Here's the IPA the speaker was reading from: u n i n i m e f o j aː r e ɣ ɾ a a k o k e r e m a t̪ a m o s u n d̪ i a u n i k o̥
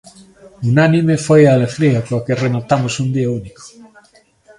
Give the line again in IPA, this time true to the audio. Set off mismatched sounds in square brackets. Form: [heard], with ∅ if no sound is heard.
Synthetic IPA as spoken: u n [a] n i m e f o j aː [l] e ɣ ɾ [i] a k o k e r e m a t̪ a m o s u n d̪ i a u n i k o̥